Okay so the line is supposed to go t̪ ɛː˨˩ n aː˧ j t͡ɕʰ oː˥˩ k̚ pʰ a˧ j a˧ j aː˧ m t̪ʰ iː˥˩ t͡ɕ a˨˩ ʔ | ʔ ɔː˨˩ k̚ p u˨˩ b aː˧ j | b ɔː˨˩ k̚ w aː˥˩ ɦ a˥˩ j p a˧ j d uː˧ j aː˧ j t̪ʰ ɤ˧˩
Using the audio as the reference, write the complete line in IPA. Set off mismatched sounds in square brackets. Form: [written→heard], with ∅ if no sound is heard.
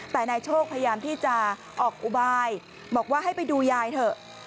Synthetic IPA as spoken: t̪ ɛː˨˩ n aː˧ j t͡ɕʰ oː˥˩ k̚ pʰ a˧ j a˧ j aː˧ m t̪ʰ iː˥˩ t͡ɕ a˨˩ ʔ | ʔ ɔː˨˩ k̚ [p→ʔ] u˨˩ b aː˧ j | b ɔː˨˩ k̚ w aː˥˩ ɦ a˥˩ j p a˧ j d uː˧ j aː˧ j t̪ʰ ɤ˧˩